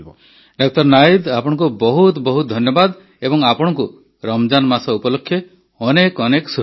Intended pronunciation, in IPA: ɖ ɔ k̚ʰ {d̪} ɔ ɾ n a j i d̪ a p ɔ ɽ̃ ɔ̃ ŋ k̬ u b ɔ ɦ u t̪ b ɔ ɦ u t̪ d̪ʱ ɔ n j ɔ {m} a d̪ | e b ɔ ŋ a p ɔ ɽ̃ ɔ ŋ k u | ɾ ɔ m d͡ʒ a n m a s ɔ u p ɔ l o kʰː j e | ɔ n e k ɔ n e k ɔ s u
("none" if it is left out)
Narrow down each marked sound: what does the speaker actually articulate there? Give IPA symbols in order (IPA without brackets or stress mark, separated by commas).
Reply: t̪, b